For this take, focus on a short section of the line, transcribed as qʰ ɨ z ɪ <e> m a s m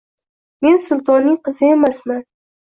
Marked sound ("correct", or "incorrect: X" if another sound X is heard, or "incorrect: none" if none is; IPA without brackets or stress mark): correct